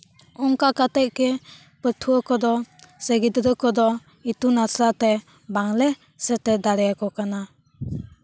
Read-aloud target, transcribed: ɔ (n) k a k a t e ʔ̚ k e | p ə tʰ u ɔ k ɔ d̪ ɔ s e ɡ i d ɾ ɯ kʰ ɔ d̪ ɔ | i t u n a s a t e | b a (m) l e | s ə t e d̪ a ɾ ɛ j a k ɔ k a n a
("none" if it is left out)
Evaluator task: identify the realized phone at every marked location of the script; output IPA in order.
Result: ŋ, ŋ

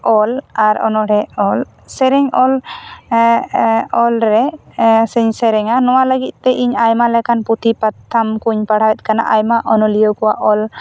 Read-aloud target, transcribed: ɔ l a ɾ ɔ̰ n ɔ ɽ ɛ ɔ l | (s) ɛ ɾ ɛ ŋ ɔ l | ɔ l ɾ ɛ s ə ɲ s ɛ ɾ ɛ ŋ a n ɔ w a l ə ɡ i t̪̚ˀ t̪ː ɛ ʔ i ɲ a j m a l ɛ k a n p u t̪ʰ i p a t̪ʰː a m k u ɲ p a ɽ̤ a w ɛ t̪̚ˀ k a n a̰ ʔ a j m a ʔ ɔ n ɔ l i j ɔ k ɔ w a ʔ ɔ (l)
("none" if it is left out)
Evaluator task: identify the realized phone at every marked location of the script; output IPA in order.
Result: s, l

